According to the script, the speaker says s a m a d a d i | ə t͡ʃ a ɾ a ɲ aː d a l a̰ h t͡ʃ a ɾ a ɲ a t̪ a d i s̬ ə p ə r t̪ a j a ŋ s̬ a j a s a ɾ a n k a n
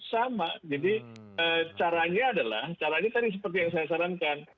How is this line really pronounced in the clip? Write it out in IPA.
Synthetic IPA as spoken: s a m a d͡ʒ a d i | ə t͡ʃ a ɾ a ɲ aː d a l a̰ h t͡ʃ a ɾ a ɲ a t̪ a d i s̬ ə p ə r t̪ i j a ŋ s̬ a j a s a ɾ a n k a n